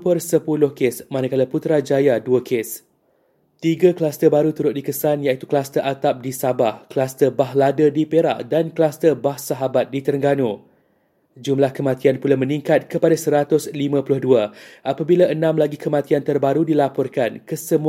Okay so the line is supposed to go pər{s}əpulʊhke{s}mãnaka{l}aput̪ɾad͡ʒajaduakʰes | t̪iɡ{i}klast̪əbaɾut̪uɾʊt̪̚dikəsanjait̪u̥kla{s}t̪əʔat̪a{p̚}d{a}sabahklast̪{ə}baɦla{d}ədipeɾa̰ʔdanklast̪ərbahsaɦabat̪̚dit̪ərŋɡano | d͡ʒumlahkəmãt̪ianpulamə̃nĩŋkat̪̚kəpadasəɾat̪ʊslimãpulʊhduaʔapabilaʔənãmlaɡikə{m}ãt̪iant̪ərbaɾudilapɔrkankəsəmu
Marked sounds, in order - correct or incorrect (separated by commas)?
correct, correct, correct, incorrect, correct, correct, incorrect, correct, correct, correct